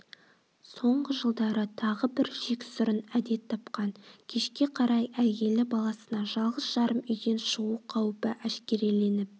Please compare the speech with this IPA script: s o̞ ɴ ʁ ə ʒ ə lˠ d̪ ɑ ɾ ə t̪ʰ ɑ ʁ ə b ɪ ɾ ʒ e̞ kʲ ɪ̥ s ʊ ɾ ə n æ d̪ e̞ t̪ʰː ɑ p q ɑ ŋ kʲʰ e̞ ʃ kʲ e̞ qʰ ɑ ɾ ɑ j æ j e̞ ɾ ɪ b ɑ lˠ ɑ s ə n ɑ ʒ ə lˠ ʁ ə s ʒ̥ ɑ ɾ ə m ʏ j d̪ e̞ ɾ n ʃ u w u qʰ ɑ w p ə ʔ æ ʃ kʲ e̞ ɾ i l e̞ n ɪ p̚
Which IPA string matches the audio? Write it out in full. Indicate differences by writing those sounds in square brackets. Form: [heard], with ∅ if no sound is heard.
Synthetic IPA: s o̞ ɴ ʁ ə ʒ ə lˠ d̪ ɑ ɾ ə t̪ʰ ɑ ʁ ə b ɪ ɾ ʒ e̞ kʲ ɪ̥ s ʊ ɾ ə n æ d̪ e̞ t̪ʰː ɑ p q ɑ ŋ kʲʰ e̞ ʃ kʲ e̞ qʰ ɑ ɾ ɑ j æ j e̞ [l] ɪ b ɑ lˠ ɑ s ə n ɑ ʒ [ɑ] lˠ ʁ ə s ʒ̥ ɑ ɾ ə m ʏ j d̪ e̞ [∅] n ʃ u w u qʰ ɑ w p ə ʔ æ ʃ kʲ e̞ ɾ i l e̞ n ɪ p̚